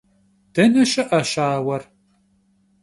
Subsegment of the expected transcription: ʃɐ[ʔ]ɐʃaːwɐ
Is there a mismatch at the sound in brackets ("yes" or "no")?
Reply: no